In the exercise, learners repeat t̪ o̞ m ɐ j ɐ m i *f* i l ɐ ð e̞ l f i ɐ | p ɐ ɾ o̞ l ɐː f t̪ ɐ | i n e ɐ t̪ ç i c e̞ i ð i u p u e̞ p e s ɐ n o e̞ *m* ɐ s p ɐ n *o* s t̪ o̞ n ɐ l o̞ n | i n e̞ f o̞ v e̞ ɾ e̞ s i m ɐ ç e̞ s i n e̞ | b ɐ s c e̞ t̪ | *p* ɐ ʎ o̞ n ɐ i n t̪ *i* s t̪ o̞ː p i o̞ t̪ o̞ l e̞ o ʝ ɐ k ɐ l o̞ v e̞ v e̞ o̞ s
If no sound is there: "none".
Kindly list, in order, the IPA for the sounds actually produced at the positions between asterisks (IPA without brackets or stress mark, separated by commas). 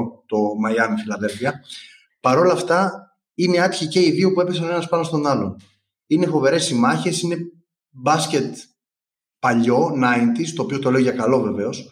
f, n, o, p, i